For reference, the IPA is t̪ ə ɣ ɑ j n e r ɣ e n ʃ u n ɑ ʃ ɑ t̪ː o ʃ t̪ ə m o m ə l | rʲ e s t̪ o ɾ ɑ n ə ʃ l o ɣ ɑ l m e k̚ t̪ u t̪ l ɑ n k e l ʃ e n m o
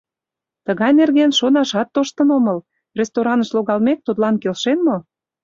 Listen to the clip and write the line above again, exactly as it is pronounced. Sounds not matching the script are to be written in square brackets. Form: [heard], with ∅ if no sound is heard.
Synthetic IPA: t̪ ə ɣ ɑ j n e r ɣ e n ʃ [o] n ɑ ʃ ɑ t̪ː o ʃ t̪ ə [n] o m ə l | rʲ e s t̪ o ɾ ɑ n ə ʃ l o ɣ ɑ l m e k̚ t̪ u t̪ l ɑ n k e l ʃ e n m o